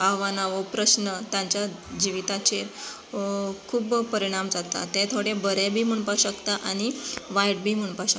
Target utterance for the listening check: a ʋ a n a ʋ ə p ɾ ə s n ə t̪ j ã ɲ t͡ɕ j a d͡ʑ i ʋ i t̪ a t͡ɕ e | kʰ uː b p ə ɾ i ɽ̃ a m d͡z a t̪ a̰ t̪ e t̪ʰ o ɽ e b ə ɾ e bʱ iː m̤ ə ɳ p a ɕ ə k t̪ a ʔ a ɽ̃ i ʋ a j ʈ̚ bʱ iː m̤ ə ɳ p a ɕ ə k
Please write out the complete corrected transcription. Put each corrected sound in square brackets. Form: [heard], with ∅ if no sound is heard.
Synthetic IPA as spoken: a ʋ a n a ʋ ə p ɾ ə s n ə t̪ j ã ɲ t͡ɕ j a d͡ʑ i ʋ i t̪ a t͡ɕ e | kʰ uː b p ə ɾ i ɽ̃ a m d͡z a t̪ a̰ t̪ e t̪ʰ o ɽ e b ə ɾ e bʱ iː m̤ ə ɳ p a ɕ ə k t̪ a ʔ a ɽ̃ i ʋ a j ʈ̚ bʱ iː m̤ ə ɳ p a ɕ ə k